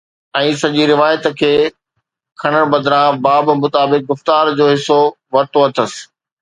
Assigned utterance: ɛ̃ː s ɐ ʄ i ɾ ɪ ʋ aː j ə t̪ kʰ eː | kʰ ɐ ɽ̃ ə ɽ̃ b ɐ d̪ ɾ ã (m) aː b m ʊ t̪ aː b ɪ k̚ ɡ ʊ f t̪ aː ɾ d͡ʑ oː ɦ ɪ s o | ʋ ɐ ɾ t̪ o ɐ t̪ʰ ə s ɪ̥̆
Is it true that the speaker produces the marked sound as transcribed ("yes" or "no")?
no